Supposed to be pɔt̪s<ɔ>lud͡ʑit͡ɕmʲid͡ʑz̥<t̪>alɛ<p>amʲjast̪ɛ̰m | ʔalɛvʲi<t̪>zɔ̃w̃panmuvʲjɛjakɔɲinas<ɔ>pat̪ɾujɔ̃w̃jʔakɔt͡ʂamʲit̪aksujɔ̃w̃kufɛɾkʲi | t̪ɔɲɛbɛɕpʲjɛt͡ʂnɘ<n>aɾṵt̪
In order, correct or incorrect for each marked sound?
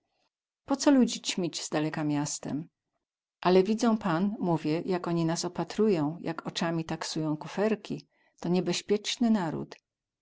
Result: correct, incorrect, incorrect, incorrect, correct, correct

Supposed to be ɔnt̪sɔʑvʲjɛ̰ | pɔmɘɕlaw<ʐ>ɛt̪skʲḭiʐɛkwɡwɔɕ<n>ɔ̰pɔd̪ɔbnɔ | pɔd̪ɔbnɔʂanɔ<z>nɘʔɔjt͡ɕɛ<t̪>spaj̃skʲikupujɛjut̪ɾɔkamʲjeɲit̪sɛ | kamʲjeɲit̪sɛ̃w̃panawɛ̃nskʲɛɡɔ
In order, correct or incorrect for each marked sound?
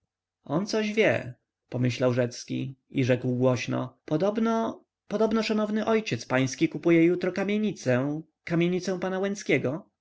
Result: correct, correct, incorrect, correct

